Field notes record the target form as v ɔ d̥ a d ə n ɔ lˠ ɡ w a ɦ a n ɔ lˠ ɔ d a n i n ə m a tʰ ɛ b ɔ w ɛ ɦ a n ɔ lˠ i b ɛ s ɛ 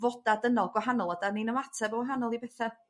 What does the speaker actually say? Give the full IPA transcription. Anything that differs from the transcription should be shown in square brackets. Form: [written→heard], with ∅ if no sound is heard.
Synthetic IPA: v ɔ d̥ a d ə n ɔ lˠ ɡ w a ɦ a n ɔ lˠ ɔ d a n i n ə m a tʰ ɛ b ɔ w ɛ ɦ a n ɔ lˠ i b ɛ [s→θ] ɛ